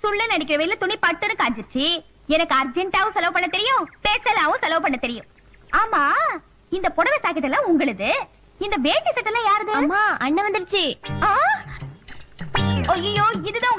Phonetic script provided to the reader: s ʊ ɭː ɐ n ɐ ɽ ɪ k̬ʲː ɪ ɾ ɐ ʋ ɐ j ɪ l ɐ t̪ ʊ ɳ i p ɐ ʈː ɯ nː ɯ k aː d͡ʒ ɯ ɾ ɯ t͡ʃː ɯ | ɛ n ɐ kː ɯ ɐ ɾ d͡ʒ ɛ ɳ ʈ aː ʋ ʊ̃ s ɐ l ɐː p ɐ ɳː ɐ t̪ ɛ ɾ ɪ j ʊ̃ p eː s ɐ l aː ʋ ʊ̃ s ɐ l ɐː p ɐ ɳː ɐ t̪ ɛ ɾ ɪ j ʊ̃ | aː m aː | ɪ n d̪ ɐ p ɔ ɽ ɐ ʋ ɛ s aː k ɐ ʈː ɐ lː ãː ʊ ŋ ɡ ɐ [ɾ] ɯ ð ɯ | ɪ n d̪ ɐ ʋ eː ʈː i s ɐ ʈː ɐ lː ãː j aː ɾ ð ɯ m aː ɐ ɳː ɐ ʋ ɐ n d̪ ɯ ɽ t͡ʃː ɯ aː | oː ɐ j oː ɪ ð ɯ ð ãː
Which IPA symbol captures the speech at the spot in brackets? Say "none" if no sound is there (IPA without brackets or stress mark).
ɭ